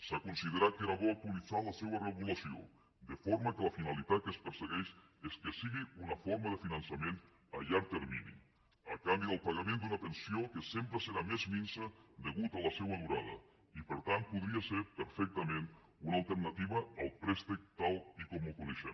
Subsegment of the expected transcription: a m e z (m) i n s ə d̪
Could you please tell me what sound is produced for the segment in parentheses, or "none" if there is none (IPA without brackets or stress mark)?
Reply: m